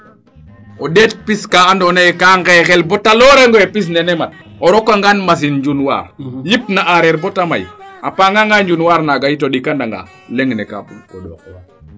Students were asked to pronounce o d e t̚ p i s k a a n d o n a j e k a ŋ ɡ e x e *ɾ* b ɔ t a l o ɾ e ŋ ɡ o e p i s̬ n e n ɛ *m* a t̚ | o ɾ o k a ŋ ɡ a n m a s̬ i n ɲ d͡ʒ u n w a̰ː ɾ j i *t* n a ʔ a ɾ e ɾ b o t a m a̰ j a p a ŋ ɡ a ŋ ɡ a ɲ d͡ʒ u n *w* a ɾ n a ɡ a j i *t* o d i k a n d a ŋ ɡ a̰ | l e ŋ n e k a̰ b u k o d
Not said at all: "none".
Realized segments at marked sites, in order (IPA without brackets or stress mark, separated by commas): l, m, p, w, t